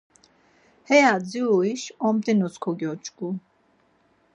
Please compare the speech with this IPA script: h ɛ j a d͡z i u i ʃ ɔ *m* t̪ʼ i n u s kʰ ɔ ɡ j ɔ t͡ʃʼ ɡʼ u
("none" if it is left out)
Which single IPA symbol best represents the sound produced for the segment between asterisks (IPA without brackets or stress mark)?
m